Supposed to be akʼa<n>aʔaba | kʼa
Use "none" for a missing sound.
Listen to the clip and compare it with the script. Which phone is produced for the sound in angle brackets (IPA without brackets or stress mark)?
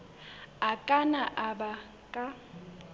n